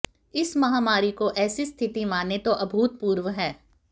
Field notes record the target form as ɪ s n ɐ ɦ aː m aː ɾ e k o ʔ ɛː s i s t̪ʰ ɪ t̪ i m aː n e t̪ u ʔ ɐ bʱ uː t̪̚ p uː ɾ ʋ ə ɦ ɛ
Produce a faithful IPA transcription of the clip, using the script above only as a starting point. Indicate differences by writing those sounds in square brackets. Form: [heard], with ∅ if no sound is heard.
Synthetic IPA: ɪ s [m] ɐ ɦ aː m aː ɾ [i] k o ʔ ɛː s i s t̪ʰ ɪ t̪ i m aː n e t̪ [o] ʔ ɐ bʱ uː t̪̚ p uː ɾ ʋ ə ɦ [ɛː]